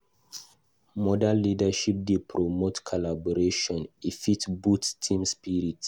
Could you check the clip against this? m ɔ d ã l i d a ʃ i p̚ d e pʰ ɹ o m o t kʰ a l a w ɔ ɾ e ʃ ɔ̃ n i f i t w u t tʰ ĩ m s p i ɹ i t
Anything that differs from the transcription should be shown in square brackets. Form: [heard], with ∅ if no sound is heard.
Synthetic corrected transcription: m ɔ d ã l i d a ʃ i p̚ d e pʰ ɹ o m o t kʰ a l a [b] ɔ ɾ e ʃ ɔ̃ n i f i t [b] u t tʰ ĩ m s p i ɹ i t